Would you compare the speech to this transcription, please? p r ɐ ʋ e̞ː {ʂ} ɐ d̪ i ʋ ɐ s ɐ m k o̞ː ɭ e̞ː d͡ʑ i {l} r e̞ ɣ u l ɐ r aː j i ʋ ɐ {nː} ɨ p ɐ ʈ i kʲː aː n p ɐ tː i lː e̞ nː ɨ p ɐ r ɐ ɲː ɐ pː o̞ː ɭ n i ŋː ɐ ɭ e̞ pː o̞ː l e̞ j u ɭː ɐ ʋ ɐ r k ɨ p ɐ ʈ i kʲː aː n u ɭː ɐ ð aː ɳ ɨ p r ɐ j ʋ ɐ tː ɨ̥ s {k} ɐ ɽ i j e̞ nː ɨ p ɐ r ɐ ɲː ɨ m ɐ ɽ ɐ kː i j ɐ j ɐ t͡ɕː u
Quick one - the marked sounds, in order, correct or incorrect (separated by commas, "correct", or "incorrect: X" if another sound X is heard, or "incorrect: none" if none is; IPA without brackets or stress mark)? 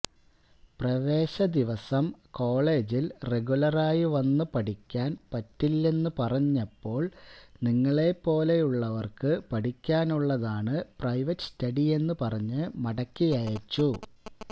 incorrect: ɕ, correct, correct, incorrect: t